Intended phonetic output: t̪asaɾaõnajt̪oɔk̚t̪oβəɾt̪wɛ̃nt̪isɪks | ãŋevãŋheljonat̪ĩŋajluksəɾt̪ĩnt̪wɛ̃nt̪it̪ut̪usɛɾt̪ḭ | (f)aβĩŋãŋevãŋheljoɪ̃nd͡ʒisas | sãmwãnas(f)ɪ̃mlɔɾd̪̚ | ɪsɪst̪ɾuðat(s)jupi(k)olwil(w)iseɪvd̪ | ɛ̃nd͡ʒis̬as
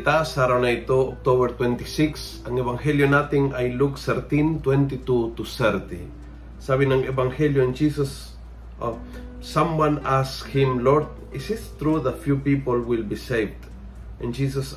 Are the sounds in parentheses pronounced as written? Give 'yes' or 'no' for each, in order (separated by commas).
no, no, no, no, no